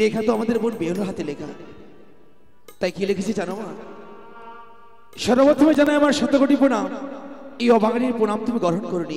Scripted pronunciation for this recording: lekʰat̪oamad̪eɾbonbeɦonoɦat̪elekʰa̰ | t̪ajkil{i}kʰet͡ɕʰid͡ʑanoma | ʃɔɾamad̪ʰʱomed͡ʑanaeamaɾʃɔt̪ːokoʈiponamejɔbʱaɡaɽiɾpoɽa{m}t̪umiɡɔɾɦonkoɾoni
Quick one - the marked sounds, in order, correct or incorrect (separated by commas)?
incorrect, correct